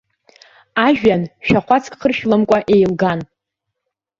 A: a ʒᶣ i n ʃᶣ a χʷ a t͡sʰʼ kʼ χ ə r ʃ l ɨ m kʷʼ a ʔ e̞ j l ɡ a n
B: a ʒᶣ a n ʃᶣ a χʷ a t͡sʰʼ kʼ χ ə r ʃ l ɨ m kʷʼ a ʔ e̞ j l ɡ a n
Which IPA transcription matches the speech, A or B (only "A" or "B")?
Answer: B